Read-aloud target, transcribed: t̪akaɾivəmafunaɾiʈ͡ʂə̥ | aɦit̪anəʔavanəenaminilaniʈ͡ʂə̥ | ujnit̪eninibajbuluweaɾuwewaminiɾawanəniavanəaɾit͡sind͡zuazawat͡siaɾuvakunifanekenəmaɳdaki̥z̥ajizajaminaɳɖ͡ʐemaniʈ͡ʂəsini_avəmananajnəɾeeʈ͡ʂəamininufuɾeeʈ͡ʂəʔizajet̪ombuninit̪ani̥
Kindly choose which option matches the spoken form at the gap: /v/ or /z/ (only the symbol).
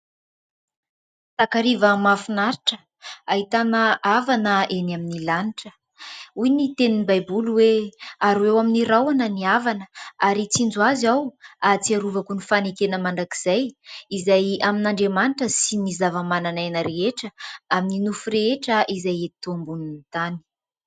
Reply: z